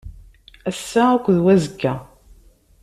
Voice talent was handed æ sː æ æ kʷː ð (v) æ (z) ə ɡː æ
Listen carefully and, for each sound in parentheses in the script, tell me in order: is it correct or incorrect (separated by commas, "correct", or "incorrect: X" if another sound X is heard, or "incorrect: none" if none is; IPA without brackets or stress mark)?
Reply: incorrect: w, correct